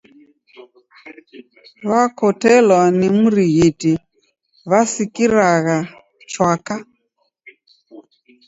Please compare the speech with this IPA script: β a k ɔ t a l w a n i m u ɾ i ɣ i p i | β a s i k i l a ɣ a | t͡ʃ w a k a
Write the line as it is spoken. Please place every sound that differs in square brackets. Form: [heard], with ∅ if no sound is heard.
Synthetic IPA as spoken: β a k ɔ t [ɛ] l w a n i m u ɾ i ɣ i [t] i | β a s i k i [ɾ] a ɣ a | t͡ʃ w a k a